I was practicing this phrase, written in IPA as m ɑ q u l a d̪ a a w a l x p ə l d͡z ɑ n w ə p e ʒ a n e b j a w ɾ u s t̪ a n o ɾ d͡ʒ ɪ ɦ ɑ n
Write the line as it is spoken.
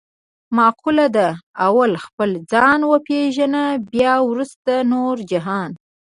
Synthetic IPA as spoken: m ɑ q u l a d̪ a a w a l x p ə l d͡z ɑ n w ə p e ʒ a n a b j ɑ w ɾ u s t̪ a n o ɾ d͡ʒ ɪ ɦ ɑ n